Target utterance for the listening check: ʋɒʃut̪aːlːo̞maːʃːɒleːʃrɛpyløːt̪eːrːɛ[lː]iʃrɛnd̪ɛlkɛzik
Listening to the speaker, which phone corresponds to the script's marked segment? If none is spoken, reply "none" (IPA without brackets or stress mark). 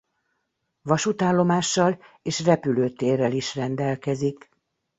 l